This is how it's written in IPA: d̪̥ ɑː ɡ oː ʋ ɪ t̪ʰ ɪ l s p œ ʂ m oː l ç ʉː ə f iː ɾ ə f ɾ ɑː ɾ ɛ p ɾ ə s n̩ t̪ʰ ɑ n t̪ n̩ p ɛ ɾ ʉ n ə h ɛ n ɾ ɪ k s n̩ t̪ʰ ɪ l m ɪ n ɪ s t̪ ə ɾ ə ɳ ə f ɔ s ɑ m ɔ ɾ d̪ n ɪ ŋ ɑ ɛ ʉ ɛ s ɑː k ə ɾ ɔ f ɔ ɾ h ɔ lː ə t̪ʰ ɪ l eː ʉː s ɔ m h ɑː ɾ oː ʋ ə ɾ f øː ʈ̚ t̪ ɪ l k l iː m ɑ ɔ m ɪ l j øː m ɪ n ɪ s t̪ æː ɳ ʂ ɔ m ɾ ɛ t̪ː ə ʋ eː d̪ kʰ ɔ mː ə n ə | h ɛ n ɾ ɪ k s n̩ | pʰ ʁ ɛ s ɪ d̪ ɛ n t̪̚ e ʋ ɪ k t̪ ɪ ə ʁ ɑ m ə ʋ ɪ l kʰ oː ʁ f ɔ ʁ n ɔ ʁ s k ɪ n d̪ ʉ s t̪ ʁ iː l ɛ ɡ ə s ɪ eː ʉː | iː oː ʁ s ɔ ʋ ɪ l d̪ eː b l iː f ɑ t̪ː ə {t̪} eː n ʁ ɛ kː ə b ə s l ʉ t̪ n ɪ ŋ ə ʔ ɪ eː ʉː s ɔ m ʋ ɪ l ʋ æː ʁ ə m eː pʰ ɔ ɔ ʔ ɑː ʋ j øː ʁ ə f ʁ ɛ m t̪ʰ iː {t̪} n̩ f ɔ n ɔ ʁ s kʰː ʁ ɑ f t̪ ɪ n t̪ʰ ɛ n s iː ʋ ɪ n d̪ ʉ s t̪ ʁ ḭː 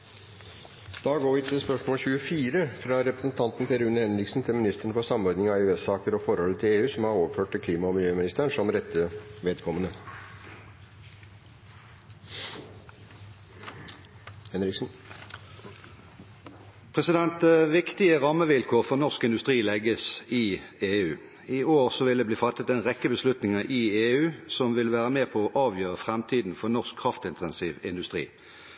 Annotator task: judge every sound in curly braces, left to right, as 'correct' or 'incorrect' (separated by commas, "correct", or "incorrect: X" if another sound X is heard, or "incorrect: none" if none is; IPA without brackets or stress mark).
correct, incorrect: d̪